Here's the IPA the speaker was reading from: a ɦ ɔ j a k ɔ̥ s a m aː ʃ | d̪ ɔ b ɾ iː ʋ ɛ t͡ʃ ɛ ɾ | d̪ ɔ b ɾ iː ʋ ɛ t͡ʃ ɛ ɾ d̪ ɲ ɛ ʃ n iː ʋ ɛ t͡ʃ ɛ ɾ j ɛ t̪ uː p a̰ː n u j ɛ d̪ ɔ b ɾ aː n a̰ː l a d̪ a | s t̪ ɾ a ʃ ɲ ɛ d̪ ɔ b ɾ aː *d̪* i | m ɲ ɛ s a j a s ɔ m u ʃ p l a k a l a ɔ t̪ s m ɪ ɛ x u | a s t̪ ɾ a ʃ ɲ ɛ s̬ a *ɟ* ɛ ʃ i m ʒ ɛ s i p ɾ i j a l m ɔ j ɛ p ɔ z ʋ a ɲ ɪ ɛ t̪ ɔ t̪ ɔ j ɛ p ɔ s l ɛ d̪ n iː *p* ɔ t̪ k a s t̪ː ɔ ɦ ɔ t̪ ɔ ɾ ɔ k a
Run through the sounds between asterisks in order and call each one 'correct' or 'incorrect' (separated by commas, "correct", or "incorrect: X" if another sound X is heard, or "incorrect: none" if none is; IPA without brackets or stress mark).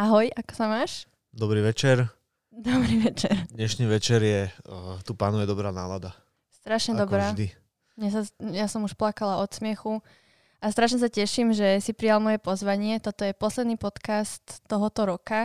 correct, incorrect: c, correct